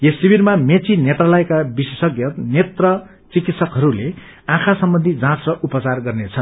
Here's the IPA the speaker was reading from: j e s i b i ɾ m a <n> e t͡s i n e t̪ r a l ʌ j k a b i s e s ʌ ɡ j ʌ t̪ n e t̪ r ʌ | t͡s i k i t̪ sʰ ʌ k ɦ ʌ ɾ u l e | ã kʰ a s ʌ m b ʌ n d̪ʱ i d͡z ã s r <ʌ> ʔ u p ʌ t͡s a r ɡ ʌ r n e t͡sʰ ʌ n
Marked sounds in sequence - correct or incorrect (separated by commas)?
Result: incorrect, correct